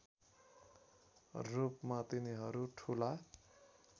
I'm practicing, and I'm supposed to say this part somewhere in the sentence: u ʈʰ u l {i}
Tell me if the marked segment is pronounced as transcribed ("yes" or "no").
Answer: no